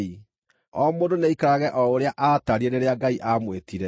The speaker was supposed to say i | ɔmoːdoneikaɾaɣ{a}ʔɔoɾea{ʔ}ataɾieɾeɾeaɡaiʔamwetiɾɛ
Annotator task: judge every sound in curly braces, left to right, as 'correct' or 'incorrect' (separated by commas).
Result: incorrect, correct